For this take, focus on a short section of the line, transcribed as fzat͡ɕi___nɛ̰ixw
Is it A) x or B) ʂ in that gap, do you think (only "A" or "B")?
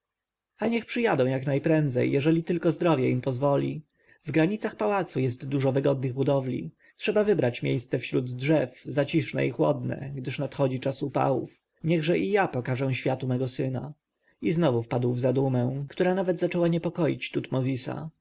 B